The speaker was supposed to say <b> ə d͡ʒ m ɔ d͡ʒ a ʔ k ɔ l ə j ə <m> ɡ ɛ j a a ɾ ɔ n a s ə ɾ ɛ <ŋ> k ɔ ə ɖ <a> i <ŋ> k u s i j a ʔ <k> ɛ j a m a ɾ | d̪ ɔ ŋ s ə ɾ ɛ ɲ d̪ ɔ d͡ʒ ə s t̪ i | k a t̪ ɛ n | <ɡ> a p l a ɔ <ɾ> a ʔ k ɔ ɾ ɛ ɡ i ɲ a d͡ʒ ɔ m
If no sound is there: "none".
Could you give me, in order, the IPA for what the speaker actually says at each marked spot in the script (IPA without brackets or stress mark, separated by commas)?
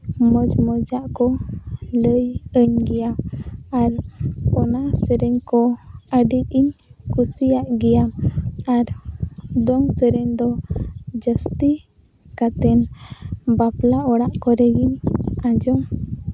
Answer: m, ɲ, ɲ, i, ɲ, ɡ, b, ɽ